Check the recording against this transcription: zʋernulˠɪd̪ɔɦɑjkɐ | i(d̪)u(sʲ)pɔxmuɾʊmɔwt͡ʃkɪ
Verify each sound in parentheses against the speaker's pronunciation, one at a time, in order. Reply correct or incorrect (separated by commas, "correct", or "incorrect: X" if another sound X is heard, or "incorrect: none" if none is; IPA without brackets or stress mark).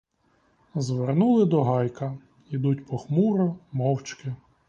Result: correct, incorrect: tʲ